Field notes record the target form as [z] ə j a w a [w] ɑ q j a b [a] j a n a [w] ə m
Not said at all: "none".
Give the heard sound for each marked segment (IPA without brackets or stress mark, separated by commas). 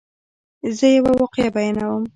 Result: z, w, a, w